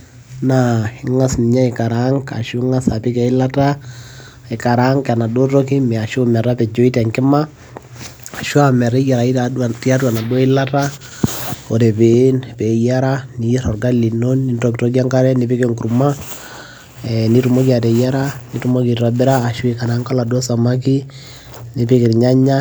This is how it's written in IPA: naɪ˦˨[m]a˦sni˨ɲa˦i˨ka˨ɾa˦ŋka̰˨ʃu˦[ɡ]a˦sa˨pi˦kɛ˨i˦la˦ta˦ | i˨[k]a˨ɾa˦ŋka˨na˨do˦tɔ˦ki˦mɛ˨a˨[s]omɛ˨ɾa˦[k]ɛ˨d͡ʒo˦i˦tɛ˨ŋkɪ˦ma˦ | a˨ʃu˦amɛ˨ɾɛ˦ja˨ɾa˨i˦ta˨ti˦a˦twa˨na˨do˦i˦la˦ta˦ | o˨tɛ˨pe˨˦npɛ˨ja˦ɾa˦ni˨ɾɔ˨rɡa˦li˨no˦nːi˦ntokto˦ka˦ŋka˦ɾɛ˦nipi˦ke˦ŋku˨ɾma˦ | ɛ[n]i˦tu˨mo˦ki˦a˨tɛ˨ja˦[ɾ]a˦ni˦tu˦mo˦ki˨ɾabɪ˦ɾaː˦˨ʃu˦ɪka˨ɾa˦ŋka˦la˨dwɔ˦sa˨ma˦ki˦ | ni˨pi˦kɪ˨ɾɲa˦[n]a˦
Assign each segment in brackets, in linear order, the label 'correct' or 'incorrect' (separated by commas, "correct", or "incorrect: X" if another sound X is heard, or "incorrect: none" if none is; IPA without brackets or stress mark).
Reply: incorrect: ŋ, incorrect: ŋ, correct, incorrect: ʃ, incorrect: p, correct, correct, incorrect: ɲ